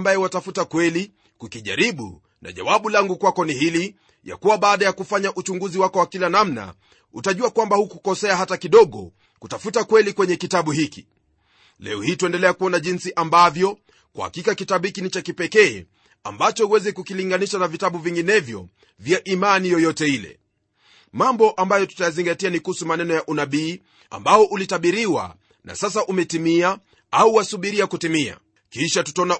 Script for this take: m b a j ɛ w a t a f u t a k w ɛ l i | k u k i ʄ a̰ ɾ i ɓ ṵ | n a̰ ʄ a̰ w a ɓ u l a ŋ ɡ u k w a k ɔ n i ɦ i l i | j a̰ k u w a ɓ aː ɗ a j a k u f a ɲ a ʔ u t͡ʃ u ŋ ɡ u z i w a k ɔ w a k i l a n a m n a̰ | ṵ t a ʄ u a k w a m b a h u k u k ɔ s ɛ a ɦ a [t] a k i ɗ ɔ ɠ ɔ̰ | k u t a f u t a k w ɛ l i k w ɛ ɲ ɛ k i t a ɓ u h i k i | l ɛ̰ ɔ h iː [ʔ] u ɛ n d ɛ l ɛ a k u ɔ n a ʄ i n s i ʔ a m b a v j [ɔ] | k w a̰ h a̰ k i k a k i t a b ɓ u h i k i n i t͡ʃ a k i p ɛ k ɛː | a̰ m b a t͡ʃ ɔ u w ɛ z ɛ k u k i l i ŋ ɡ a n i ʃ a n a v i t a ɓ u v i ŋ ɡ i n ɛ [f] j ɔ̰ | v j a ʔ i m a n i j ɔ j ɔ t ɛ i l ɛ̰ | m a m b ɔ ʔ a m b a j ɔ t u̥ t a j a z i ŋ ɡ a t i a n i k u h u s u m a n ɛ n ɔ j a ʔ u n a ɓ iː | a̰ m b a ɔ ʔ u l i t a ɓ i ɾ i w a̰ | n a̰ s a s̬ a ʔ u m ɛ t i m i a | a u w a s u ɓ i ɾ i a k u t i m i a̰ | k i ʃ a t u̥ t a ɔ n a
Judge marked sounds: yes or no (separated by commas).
yes, no, yes, no